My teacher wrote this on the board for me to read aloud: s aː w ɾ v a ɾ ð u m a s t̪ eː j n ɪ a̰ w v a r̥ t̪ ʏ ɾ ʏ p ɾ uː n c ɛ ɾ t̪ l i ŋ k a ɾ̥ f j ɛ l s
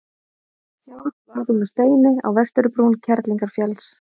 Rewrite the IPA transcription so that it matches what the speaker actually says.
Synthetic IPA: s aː w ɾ v a ɾ ð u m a s t̪ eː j n ɪ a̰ w v ɛ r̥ t̪ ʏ ɾ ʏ p ɾ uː n cʰ ɛ ɾ t̪ l i ŋ k a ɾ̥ f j ɛ l s